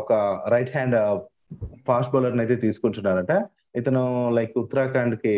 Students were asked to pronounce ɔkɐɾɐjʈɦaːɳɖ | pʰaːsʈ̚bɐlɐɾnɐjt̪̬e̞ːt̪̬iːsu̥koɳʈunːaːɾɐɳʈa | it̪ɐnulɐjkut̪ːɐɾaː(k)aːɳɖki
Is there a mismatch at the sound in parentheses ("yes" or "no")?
no